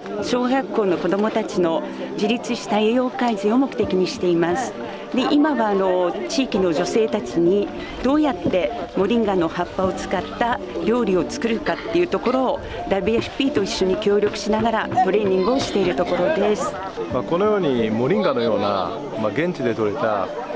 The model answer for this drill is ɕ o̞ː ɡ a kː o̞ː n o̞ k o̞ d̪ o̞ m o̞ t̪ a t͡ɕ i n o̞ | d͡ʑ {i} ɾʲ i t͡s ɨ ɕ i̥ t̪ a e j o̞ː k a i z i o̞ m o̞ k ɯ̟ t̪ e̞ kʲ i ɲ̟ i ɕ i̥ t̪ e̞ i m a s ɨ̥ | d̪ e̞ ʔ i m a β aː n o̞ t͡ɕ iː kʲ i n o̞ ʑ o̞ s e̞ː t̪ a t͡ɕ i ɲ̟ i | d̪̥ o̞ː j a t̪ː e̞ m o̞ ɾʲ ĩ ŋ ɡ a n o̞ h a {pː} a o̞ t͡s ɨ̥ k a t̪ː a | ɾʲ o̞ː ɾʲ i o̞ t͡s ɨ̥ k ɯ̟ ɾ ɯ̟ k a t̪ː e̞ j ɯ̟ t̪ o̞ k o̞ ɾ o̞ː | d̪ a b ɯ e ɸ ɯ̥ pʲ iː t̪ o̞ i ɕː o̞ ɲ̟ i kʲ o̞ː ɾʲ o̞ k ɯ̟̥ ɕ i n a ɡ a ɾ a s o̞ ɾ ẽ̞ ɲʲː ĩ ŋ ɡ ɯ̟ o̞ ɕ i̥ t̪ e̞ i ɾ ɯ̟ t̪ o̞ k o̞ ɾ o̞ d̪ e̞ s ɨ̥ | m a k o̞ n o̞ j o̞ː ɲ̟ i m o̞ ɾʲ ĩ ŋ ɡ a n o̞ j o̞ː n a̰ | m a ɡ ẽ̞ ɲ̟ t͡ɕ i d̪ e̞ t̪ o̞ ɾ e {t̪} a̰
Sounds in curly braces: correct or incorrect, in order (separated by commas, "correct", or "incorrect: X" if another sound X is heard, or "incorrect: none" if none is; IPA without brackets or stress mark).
correct, correct, correct